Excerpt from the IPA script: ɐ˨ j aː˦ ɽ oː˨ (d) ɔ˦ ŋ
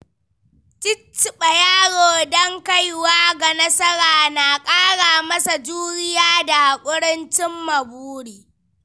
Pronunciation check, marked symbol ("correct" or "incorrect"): correct